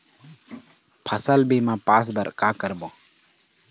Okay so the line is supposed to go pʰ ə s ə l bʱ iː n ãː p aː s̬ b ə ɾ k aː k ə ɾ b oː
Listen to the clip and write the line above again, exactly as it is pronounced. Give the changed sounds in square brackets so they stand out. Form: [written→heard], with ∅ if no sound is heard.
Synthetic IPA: pʰ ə s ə l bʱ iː [n→m] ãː p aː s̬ b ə ɾ k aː k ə ɾ b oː